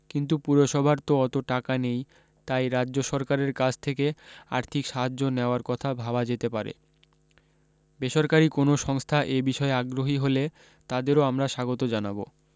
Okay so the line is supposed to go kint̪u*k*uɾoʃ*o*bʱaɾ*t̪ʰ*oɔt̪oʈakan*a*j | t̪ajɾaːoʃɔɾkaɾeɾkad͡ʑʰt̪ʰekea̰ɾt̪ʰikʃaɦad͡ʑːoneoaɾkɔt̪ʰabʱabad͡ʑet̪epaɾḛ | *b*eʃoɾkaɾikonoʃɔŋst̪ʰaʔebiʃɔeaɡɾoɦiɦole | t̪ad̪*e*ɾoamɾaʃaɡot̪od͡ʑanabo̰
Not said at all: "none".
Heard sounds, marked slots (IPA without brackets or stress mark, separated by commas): p, ɔ, t̪, e, b, e